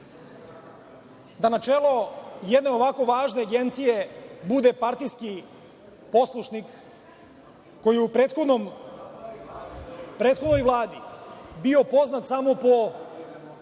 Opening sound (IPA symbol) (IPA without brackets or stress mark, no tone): d̪